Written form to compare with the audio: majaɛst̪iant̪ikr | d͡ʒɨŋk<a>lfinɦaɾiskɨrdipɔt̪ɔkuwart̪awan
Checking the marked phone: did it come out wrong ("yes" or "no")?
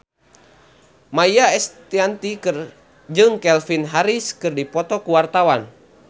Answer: yes